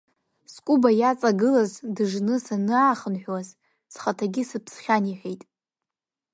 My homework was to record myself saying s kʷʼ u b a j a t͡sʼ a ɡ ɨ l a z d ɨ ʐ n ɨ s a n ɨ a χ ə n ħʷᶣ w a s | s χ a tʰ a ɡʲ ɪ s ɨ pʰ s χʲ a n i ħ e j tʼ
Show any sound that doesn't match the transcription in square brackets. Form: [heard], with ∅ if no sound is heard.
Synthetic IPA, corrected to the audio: s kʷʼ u b a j a t͡sʼ a ɡ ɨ l a z d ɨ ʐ n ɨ s a n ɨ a χ ə n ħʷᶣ w a [z] | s χ a tʰ a ɡʲ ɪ s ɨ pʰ s χʲ a n i ħ e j tʼ